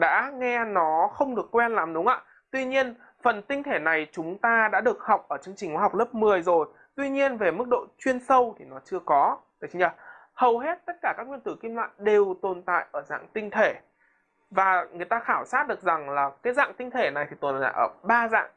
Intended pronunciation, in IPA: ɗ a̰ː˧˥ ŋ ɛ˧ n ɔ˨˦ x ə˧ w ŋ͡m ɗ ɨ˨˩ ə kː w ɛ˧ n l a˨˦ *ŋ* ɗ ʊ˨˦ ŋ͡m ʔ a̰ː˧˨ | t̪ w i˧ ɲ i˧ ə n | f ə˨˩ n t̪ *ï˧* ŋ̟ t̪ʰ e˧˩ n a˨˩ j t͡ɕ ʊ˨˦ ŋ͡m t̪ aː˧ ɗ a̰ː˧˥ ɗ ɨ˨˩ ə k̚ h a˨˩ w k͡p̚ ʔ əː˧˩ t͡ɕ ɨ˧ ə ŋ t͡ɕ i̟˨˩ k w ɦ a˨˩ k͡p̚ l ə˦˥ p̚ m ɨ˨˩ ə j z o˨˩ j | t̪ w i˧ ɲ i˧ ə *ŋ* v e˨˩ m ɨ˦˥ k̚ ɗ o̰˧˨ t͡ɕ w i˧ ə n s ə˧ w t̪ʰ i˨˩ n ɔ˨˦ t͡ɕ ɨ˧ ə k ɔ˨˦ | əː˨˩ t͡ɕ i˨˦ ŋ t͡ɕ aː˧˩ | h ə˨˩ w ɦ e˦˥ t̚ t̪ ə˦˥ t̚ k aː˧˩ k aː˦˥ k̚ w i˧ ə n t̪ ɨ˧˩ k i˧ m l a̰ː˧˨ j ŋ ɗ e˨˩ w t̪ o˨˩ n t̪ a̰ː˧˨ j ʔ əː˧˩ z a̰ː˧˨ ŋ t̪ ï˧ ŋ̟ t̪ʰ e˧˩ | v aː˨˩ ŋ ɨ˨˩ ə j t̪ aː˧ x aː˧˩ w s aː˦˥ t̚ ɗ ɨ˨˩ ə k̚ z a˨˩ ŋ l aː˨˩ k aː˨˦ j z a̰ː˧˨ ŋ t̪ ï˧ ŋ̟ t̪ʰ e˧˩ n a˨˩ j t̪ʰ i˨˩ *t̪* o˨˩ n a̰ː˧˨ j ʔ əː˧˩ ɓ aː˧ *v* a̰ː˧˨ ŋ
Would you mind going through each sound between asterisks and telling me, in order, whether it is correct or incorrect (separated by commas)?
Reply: incorrect, correct, incorrect, correct, incorrect